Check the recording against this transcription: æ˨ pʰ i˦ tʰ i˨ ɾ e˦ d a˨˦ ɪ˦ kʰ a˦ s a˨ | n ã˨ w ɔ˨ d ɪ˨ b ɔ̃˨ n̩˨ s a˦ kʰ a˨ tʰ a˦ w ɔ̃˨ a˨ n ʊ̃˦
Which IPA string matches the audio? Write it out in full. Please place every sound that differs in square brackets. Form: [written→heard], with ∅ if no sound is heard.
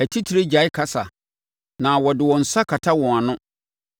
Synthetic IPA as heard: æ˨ [pʰ→tʰ] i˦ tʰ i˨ ɾ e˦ [d→d͡ʑ] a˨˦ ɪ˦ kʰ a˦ s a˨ | n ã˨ w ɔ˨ d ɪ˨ [b→w] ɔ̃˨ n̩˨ s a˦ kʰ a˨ tʰ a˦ w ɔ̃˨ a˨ n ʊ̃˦